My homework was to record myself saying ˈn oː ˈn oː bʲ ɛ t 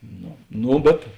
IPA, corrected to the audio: ˈn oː ˈn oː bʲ ɛ t